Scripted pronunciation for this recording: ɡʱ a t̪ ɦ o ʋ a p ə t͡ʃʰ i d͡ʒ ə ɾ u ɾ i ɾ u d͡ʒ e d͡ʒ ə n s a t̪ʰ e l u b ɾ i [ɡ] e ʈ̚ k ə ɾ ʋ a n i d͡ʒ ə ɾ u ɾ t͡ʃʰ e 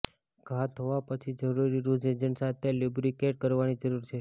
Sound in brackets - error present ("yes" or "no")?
yes